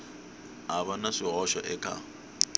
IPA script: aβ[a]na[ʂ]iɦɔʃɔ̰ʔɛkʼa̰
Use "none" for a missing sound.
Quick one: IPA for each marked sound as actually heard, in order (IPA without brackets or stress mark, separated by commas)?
a, ʂ